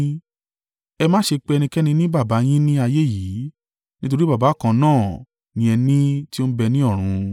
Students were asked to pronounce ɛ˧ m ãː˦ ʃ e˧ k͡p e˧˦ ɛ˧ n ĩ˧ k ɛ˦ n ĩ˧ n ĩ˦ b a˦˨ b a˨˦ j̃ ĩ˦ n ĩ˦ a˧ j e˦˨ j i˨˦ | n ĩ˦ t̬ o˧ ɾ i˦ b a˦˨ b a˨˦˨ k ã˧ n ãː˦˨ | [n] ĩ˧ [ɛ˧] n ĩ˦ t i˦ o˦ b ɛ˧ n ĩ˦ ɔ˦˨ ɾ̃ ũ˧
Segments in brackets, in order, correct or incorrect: correct, correct

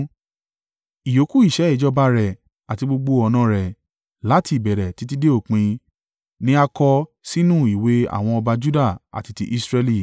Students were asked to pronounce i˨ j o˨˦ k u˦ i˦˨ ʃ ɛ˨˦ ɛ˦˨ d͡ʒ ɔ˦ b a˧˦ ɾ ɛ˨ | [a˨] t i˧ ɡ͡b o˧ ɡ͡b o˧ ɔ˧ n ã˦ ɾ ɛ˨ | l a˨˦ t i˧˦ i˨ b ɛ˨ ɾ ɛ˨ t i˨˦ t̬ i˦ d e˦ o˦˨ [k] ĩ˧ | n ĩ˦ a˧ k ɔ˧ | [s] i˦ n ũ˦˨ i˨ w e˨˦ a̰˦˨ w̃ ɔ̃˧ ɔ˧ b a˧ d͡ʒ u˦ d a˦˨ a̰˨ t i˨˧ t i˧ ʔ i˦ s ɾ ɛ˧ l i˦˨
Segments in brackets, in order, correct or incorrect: correct, incorrect, correct

